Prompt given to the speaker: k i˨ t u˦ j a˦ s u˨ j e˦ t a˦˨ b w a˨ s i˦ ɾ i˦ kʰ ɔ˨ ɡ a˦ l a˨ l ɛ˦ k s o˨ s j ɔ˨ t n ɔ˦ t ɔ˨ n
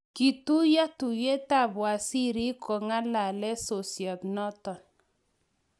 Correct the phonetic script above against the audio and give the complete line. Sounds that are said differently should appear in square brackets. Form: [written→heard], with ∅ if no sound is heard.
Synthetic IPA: k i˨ t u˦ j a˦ [s→t] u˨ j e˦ t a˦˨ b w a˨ s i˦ ɾ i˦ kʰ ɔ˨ [ɡ→ŋ] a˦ l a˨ l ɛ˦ [k→∅] s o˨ s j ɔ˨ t n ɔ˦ t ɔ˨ n

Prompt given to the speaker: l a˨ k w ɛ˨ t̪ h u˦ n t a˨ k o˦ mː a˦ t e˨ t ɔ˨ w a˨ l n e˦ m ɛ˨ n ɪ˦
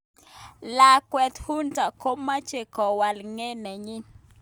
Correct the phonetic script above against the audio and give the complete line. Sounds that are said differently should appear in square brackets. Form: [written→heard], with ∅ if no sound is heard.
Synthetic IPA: l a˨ k w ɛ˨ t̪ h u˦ n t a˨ k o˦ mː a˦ [t→t͡ʃ] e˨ [t→k] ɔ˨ w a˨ l [n→ŋ] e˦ [m→n] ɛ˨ [n→ɲ] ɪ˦

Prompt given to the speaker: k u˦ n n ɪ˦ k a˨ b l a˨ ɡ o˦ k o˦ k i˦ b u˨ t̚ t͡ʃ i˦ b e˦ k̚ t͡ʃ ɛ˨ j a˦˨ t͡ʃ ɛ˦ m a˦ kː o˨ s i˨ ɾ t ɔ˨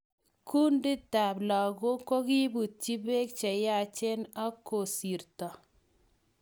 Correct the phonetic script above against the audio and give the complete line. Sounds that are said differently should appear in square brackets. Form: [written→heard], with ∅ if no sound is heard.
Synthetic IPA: k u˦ n [n→d] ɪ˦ [k→t] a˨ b l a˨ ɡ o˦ k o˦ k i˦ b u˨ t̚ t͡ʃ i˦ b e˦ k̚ t͡ʃ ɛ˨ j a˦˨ t͡ʃ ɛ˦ [m→n] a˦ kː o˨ s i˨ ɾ t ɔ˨

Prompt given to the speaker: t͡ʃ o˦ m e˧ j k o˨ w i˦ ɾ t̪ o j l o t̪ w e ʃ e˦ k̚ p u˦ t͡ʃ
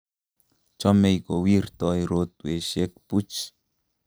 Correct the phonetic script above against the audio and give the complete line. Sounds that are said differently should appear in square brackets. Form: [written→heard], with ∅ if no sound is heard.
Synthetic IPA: t͡ʃ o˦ m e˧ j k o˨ w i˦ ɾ t̪ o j [l→ɾ] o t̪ w e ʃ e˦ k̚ p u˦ t͡ʃ

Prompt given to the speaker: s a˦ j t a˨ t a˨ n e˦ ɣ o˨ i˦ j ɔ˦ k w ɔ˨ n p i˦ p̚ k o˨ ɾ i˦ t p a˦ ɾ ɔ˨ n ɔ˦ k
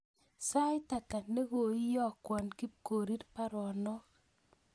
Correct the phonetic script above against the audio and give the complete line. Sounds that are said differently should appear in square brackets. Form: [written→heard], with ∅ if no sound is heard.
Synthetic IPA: s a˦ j t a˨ t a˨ n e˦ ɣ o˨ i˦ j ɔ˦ k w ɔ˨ n [p→k] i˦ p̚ k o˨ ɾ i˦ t p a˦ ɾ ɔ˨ n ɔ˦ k

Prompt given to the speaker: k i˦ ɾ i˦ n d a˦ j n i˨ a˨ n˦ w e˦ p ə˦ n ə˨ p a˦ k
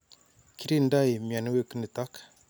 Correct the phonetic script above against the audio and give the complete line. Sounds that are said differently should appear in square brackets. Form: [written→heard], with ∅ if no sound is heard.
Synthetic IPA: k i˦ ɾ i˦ n d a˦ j [n→m] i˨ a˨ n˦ w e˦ [p→k] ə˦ n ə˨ [p→t] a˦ k

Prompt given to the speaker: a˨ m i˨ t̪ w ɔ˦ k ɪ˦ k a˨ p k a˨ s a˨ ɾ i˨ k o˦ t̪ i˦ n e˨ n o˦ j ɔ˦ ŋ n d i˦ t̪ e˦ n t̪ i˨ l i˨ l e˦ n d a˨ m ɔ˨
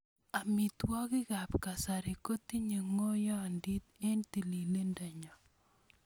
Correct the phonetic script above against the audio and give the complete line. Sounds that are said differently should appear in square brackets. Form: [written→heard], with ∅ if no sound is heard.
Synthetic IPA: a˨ m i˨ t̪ w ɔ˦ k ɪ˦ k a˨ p k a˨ s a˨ ɾ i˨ k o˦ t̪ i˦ [n→ɲ] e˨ [n→ŋ] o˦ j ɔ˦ [ŋ→∅] n d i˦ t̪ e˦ n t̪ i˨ l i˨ l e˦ n d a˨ [m→ɲ] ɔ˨

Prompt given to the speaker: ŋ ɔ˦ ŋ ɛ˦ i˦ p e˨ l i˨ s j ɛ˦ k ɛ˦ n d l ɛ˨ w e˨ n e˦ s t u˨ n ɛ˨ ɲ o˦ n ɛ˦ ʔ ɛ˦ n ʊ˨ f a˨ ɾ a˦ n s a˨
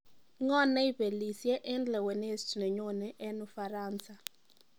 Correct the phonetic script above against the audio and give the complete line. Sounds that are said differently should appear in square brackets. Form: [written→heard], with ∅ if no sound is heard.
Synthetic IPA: ŋ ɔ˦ [ŋ→n] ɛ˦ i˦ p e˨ l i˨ s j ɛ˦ [k→ʔ] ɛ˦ n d l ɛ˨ w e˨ n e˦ s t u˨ n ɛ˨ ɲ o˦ n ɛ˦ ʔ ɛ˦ n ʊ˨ f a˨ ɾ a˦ n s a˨

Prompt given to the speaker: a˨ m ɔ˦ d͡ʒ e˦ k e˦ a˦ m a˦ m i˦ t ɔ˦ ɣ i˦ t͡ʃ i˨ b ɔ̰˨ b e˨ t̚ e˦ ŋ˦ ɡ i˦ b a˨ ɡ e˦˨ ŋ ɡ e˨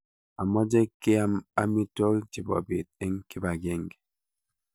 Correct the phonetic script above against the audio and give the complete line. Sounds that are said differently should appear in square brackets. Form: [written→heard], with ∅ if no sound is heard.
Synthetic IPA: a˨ m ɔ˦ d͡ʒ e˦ k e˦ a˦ m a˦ m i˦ t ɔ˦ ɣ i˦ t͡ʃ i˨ b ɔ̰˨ b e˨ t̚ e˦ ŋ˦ [ɡ→k] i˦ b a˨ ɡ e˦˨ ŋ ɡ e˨

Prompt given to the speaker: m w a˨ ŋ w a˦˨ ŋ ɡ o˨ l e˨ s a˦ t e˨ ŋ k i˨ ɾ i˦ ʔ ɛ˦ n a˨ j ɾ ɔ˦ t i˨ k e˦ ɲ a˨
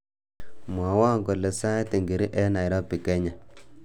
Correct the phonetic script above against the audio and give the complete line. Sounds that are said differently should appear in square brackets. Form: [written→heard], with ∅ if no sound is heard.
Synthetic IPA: m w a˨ [ŋ→∅] w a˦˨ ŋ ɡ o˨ l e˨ s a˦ t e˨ ŋ [k→ɡ] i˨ ɾ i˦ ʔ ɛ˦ n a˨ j ɾ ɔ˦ [t→p] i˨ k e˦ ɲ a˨

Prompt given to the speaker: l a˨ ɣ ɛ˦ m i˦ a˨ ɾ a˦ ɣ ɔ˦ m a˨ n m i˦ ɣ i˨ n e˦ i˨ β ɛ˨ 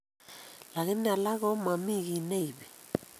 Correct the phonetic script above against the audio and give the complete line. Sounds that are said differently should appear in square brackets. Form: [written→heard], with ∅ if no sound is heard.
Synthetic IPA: l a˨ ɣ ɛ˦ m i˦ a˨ [ɾ→l] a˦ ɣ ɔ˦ m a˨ [n→∅] m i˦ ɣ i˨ n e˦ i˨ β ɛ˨

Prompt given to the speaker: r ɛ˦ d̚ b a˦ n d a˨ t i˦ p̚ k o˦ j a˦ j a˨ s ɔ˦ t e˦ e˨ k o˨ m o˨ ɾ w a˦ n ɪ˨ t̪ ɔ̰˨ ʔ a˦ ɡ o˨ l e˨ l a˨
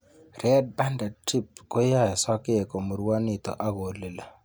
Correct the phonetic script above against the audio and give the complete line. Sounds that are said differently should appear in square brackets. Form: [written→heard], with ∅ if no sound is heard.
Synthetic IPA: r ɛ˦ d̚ b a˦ n d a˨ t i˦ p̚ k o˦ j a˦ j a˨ s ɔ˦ [t→k] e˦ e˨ k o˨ m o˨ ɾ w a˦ n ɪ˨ t̪ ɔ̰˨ ʔ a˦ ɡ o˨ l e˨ l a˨

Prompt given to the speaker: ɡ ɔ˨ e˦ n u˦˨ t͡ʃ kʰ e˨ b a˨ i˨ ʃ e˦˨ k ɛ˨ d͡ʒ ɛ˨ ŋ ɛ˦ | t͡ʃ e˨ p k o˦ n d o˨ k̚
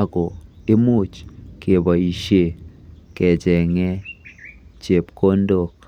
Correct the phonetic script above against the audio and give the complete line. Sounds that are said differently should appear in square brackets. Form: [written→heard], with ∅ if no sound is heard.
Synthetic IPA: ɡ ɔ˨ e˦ [n→m] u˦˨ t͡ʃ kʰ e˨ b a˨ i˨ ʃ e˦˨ k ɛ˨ d͡ʒ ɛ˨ ŋ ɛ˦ | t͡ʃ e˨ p k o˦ n d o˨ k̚

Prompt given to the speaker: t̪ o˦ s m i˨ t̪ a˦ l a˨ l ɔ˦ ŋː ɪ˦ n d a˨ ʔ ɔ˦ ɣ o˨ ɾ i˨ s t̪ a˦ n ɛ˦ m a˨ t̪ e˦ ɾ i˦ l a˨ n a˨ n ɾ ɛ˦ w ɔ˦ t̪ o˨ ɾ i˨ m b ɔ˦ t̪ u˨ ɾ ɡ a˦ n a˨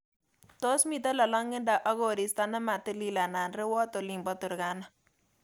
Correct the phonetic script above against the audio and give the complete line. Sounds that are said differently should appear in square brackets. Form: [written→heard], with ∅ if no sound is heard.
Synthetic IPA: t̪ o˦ s m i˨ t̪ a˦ l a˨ l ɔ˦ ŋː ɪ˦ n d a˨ ʔ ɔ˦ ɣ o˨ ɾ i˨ s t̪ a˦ n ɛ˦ m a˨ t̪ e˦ [ɾ→l] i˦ l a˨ n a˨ n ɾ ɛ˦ w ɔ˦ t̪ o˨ [ɾ→l] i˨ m b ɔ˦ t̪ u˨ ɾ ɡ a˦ n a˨

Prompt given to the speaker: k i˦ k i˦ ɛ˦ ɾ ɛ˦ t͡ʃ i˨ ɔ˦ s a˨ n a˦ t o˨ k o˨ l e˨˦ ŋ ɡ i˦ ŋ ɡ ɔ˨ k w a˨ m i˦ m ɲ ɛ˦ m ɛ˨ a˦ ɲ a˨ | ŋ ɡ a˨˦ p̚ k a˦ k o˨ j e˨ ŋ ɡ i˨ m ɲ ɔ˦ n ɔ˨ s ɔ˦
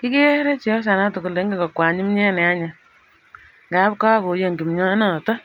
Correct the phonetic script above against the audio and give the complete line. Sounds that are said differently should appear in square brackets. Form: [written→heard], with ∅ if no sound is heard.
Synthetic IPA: k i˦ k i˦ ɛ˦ ɾ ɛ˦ t͡ʃ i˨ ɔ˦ s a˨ n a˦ t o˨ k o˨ l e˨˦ ŋ ɡ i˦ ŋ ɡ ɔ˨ k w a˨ [m→ɲ] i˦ m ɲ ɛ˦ [m→n] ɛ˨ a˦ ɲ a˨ | ŋ ɡ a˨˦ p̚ k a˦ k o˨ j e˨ ŋ ɡ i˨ m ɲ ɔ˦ n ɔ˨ [s→t] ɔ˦

